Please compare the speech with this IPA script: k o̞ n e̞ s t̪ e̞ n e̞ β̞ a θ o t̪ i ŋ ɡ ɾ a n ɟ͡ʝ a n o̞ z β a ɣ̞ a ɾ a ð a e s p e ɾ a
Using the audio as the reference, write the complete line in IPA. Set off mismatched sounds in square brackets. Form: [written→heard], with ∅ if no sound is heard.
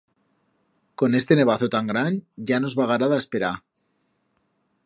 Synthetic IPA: k o̞ n e̞ s t̪ e̞ n e̞ β̞ a θ o t̪ [i→a] ŋ ɡ ɾ a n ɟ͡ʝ a n o̞ z β a ɣ̞ a ɾ a ð a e s p e ɾ a